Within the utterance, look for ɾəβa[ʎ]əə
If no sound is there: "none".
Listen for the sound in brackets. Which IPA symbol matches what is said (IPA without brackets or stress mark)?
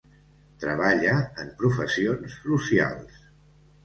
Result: ʎ